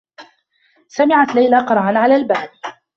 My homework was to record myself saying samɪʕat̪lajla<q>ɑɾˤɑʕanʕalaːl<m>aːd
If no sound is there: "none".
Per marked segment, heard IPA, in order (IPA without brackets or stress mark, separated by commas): q, b